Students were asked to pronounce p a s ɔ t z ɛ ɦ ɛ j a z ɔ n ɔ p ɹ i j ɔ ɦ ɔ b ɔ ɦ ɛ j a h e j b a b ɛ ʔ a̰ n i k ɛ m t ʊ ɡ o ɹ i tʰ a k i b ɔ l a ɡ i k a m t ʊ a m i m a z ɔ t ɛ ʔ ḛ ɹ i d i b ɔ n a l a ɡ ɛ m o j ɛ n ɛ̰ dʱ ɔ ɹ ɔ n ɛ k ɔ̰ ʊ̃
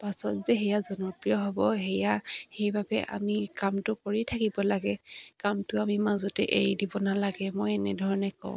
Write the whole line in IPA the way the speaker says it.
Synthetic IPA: p a s ɔ t z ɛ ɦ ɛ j a z ɔ n ɔ p ɹ i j ɔ ɦ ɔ b ɔ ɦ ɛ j a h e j b a b ɛ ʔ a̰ m i k a m t ʊ k o ɹ i tʰ a k i b ɔ l a ɡ ɛ k a m t ʊ a m i m a z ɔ t ɛ ʔ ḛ ɹ i d i b ɔ n a l a ɡ ɛ m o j ɛ n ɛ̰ dʱ ɔ ɹ ɔ n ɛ k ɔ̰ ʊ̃